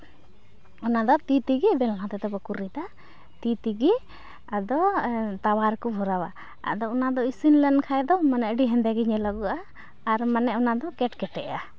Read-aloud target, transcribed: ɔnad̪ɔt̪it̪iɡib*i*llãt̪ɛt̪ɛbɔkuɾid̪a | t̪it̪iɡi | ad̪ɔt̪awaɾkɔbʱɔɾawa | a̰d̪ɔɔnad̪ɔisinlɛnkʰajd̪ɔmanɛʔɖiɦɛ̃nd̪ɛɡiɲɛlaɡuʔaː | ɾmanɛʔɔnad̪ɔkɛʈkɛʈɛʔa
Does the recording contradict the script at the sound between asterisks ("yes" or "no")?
yes